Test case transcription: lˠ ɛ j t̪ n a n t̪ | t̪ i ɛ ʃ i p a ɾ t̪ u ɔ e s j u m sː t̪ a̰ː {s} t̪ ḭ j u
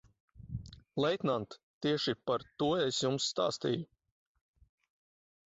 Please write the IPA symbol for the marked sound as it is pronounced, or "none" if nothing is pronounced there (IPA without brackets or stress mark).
s